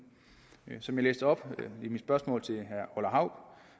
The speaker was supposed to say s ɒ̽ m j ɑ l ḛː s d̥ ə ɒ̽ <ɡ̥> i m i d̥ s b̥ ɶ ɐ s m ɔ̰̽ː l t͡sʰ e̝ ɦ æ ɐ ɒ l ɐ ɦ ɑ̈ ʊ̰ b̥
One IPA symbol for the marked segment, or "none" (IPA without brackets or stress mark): b̥